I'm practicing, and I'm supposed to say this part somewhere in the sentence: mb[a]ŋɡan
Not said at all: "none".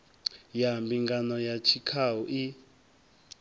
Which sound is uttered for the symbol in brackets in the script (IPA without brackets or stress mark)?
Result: i